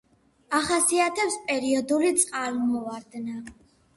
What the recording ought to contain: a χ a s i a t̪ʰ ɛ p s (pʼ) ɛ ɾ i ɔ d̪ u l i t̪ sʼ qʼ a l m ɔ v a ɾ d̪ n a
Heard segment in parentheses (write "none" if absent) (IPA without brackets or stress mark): pʼ